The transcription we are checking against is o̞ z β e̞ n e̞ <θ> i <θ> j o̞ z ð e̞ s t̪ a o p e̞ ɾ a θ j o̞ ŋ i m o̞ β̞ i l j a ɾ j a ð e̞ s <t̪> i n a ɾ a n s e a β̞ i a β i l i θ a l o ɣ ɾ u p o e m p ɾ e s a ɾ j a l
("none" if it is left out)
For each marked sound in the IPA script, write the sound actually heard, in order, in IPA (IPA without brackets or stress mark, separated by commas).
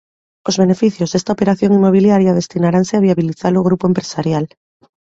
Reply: f, θ, t̪